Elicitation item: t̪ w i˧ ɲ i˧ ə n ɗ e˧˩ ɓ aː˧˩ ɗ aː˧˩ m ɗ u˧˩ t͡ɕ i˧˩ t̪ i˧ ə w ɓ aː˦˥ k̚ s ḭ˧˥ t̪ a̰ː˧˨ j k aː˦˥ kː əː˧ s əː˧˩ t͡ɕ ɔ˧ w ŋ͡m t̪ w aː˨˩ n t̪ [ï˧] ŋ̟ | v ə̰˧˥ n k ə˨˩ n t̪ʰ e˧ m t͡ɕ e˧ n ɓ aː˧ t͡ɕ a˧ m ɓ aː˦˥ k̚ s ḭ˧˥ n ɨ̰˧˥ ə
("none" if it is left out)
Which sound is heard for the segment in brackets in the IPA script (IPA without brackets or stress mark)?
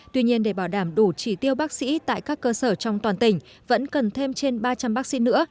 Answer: ï˧˩